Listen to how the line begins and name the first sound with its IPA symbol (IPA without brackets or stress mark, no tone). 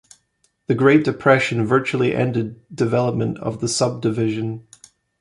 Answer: ð